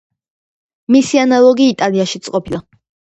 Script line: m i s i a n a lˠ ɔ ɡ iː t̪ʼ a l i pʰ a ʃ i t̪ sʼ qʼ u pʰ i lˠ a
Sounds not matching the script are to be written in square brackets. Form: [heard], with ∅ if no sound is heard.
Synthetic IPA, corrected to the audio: m i s i a n a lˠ ɔ ɡ iː t̪ʼ a l i [∅] a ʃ i t̪ sʼ qʼ [ɔ] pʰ i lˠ a